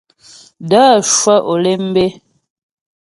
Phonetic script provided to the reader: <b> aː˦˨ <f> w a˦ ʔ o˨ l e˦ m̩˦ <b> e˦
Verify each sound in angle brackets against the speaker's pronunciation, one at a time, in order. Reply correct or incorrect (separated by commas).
incorrect, incorrect, correct